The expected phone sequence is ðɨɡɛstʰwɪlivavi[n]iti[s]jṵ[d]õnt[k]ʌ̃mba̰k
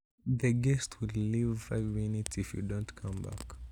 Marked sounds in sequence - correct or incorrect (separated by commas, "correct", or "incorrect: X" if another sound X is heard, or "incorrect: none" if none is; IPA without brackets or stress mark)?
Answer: correct, incorrect: f, correct, incorrect: kʰ